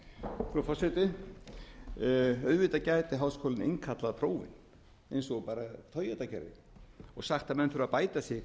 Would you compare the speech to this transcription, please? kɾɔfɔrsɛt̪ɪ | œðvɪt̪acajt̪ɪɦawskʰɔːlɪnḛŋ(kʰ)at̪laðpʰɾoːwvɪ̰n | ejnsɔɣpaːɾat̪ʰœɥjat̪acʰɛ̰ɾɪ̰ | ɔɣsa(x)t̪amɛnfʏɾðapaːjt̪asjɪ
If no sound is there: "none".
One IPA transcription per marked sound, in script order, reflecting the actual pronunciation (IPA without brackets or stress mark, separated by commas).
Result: kʰ, x